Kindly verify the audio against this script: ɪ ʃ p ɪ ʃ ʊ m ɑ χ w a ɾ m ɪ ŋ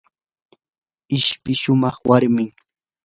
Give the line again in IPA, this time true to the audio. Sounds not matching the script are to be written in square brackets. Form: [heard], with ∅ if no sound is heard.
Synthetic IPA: ɪ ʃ p ɪ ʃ ʊ m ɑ χ w a ɾ m ɪ ŋ